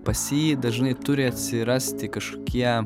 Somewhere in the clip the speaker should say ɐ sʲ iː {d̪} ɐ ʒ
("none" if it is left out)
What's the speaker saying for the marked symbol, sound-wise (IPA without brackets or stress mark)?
d̪